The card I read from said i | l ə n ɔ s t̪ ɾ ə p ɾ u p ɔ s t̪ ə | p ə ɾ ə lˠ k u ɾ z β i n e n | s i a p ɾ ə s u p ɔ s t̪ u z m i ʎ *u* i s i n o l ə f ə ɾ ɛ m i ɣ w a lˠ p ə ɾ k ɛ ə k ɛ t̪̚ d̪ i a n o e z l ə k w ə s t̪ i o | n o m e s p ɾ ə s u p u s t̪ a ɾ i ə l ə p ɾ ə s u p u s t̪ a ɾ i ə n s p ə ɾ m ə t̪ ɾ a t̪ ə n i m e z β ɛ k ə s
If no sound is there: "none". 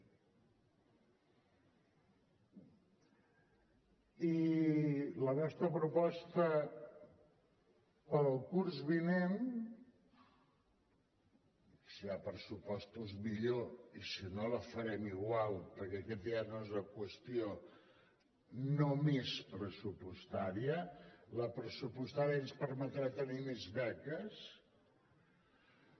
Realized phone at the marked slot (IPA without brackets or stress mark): o